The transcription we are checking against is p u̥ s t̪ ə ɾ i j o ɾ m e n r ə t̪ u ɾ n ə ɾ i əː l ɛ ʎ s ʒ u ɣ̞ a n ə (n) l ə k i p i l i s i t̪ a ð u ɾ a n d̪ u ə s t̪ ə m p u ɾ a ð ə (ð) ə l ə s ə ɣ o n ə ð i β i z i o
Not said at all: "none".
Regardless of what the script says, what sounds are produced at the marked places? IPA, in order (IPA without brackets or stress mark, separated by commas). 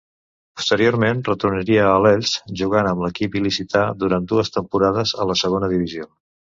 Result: m, z